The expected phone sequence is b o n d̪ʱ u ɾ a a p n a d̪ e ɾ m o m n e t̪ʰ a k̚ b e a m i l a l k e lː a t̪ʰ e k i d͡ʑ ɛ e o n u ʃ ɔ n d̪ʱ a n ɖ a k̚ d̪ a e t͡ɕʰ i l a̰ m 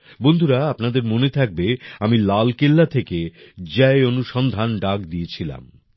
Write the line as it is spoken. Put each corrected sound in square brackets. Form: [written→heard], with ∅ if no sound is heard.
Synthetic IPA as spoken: b o n d̪ʱ u ɾ a a p n a d̪ e ɾ m o [m→∅] n e t̪ʰ a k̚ b e a m i l a l k e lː a t̪ʰ e k [i→e] d͡ʑ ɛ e o n u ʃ ɔ n d̪ʱ a n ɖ a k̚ d̪ [a→i] e t͡ɕʰ i l a̰ m